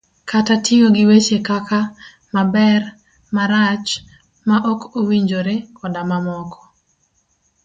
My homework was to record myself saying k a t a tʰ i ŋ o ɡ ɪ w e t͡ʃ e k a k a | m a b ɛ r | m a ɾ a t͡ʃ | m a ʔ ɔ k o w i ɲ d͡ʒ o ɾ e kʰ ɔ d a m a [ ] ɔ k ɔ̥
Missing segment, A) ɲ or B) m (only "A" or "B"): B